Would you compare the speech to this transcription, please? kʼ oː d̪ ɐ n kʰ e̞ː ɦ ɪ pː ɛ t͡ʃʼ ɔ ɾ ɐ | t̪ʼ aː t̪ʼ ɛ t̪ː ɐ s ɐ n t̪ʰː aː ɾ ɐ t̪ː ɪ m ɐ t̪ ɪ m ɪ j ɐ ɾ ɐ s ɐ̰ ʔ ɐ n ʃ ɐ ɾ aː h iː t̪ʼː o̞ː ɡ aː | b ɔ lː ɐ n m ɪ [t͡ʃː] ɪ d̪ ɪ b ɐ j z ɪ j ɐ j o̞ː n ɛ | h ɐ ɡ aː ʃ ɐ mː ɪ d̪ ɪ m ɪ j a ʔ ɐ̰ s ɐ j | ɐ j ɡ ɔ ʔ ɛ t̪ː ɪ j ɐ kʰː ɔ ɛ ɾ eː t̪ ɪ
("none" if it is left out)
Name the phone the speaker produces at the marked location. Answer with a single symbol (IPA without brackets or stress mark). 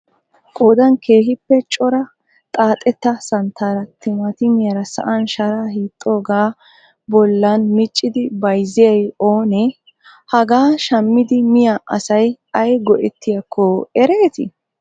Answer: t͡ʃʼː